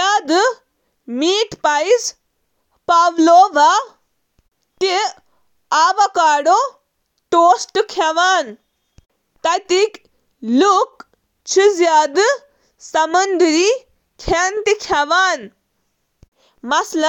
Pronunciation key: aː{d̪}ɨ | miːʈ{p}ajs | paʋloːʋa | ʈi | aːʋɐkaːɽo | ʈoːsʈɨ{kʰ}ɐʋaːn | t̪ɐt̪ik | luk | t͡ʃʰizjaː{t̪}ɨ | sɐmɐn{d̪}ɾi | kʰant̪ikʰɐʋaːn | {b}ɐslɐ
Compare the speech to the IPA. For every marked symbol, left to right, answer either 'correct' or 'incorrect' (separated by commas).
correct, correct, correct, incorrect, correct, incorrect